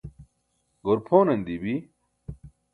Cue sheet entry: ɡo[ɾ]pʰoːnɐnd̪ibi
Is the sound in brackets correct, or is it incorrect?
correct